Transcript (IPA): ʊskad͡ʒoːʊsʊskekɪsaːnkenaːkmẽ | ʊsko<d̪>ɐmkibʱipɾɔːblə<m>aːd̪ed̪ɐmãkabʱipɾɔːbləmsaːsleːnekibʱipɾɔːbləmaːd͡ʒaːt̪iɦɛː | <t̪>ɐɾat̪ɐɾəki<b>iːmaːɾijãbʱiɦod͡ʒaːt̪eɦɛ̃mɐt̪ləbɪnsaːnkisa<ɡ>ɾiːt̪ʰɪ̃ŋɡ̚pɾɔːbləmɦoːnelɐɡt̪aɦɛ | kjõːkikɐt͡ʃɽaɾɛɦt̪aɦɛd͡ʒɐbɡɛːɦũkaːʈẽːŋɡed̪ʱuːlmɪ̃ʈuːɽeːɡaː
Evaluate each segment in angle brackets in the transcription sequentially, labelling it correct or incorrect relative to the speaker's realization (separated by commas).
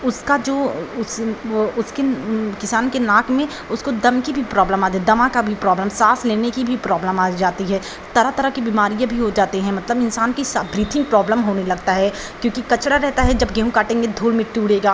correct, correct, correct, correct, incorrect